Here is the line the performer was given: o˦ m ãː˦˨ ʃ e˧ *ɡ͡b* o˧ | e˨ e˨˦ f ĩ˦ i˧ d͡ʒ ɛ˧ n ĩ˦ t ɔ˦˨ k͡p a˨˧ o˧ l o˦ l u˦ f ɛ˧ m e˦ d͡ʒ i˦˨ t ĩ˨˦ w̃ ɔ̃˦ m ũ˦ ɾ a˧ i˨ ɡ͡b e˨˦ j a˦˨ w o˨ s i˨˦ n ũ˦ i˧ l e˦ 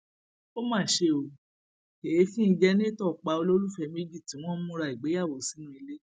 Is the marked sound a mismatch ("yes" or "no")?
yes